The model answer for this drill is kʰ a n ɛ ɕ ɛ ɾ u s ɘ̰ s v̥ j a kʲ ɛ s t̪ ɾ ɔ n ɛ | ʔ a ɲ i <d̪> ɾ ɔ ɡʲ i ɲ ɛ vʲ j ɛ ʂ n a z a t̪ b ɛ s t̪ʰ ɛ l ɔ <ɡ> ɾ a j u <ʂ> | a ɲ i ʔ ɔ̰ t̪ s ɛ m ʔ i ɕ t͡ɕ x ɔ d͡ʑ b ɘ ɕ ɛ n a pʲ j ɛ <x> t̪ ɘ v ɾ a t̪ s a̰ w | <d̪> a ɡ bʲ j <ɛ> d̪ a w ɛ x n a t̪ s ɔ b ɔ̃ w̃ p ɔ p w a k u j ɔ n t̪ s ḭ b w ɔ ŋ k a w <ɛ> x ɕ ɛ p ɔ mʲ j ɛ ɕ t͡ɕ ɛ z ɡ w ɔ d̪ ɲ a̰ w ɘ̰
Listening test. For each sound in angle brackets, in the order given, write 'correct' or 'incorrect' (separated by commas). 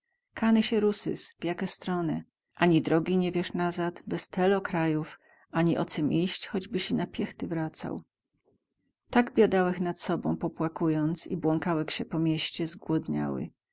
correct, incorrect, incorrect, correct, incorrect, incorrect, correct